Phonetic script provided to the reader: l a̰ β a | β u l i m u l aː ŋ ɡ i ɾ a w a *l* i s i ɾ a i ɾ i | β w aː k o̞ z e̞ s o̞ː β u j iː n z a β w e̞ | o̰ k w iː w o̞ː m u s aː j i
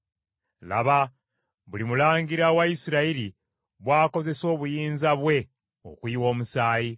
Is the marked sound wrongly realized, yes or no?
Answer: yes